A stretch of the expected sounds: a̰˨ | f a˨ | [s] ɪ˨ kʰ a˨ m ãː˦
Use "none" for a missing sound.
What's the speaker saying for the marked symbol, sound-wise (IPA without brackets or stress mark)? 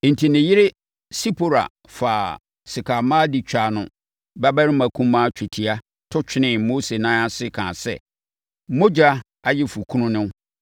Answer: s